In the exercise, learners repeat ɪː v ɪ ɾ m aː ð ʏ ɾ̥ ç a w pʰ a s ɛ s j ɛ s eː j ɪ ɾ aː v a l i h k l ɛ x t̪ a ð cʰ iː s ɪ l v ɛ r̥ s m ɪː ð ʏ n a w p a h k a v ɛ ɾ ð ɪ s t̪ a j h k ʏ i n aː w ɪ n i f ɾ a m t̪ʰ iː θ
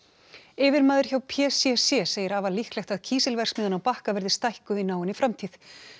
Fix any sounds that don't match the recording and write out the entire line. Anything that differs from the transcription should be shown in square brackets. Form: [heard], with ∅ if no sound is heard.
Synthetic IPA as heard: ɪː v ɪ ɾ m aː ð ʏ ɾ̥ ç a w pʰ [ɛ] s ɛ s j ɛ s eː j ɪ ɾ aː v a l i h k l ɛ x t̪ a ð cʰ iː s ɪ l v ɛ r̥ s m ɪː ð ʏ n a w p a h k a v ɛ ɾ ð ɪ s t̪ a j h k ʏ i n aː w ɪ n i f ɾ a m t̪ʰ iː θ